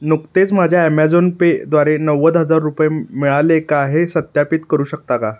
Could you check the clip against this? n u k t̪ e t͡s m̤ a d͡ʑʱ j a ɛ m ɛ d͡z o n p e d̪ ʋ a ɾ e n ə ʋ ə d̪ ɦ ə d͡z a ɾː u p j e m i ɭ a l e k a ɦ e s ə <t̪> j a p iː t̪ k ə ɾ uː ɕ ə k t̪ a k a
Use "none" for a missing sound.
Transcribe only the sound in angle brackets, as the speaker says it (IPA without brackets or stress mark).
t̪